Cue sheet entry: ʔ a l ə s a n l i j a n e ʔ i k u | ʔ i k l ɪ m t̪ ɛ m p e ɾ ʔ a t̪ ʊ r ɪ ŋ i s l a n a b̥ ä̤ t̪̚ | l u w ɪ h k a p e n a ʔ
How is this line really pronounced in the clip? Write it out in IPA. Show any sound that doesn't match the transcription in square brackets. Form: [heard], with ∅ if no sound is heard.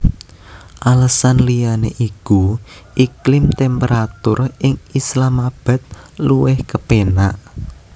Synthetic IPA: ʔ a l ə s a n l i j a n e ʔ i k u | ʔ i k l ɪ m t̪ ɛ m p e ɾ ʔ a t̪ ʊ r ɪ ŋ i s l a [m] a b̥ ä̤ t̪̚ | l u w ɪ h k [ə] p e n a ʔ